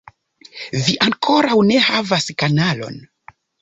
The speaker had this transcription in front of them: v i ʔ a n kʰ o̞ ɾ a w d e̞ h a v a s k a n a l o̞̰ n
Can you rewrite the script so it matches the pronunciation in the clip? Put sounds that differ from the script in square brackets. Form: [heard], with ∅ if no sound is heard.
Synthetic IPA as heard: v i ʔ a [ŋ] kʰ o̞ ɾ a w [n] e̞ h a v a s k a n a l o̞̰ n